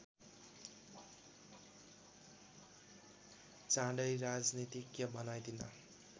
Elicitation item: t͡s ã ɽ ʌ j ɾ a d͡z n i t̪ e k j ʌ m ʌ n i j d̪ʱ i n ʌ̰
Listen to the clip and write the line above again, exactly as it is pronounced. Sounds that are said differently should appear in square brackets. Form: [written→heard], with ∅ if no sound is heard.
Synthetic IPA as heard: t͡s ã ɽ ʌ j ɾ a d͡z n i t̪ [e→i] k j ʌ [m→b] ʌ n [i→a] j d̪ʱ i n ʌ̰